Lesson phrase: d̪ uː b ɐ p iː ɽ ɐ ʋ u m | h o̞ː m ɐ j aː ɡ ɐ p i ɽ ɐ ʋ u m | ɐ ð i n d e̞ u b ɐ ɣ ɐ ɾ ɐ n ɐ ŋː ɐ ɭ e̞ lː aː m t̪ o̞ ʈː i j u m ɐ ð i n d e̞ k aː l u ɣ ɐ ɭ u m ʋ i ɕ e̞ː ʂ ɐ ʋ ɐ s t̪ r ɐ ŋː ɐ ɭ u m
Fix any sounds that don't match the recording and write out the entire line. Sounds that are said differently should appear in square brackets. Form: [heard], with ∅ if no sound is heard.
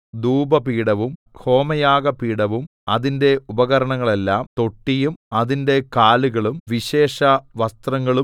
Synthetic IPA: d̪ uː b ɐ p iː ɽ ɐ ʋ u m | h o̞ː m ɐ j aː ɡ ɐ p [iː] ɽ ɐ ʋ u m | ɐ ð i n d e̞ u b ɐ ɣ ɐ ɾ ɐ [ɳ] ɐ ŋː ɐ ɭ e̞ lː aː m t̪ o̞ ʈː i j u m ɐ ð i n d e̞ k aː l u ɣ ɐ ɭ u m ʋ i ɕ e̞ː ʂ ɐ ʋ ɐ s t̪ r ɐ ŋː ɐ ɭ u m